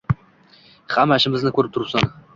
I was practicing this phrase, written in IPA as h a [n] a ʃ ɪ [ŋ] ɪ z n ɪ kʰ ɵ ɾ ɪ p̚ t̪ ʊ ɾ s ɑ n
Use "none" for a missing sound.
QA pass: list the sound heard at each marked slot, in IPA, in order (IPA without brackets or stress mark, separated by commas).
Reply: m, m